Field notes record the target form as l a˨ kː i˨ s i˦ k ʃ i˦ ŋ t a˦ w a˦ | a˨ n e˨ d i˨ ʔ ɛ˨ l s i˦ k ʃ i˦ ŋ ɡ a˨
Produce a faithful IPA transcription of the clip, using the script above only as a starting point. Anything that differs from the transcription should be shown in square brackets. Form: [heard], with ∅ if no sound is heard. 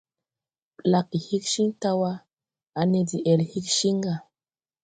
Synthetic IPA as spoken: l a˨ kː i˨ [h] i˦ k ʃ i˦ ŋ t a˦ w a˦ | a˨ n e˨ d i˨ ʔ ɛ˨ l [h] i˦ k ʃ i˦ ŋ ɡ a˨